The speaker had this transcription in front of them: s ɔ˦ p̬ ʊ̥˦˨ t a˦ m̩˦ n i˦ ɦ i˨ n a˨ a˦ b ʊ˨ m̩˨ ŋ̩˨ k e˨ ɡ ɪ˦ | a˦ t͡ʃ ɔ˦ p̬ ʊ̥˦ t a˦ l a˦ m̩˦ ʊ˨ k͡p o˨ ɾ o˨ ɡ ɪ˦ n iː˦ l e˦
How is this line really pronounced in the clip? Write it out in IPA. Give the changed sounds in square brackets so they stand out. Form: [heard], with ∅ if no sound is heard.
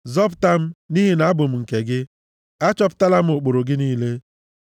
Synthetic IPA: [z] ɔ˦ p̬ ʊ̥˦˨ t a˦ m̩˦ n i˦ ɦ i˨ n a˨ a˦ b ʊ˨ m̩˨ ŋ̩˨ k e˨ ɡ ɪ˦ | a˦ t͡ʃ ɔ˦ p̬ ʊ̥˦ t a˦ l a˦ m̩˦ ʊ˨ k͡p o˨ ɾ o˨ ɡ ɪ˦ n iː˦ l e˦